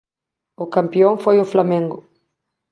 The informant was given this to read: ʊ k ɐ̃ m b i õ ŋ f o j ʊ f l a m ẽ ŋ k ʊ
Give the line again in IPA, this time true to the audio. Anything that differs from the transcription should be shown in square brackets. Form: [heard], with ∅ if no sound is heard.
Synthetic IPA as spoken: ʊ k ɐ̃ m [p] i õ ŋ f o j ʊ f l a m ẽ ŋ [ɡ] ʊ